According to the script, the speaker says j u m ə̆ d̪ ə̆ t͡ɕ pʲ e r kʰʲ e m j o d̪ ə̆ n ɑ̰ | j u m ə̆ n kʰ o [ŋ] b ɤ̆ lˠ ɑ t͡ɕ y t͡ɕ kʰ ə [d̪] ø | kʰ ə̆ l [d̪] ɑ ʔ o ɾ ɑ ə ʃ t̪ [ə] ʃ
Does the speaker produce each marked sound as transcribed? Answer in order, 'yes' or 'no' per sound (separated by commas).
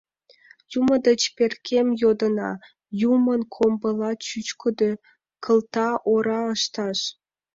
no, yes, no, no